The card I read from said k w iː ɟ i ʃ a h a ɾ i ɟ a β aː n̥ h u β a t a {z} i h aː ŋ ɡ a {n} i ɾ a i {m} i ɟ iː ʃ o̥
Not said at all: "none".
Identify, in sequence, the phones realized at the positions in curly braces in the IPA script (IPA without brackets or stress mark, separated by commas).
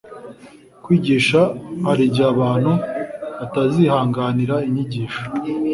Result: z, n, ɲ